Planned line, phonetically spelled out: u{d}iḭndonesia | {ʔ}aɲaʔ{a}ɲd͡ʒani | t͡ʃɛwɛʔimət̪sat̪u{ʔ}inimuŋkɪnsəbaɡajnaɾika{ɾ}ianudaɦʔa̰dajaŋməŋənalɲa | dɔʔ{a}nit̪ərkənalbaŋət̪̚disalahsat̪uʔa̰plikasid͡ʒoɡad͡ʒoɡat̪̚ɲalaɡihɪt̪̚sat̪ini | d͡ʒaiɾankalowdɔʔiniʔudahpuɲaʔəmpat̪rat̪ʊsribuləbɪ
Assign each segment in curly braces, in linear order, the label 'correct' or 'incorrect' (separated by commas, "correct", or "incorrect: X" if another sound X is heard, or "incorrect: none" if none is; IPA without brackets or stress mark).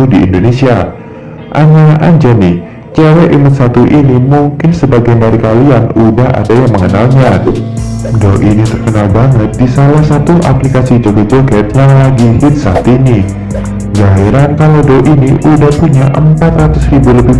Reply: correct, correct, correct, correct, incorrect: l, incorrect: i